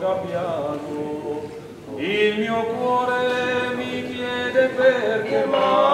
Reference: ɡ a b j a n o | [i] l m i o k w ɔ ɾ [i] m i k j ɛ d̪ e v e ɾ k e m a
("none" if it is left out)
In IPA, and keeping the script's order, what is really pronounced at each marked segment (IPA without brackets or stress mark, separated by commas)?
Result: i, e